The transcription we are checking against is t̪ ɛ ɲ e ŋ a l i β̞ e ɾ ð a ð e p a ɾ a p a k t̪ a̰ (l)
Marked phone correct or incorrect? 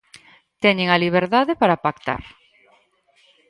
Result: incorrect